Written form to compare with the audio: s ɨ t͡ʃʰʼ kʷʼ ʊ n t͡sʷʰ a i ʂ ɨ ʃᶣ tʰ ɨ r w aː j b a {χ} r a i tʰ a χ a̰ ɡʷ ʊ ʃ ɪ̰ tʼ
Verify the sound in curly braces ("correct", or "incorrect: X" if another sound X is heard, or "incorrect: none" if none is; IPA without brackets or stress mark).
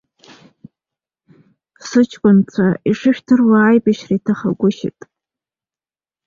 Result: incorrect: ʃ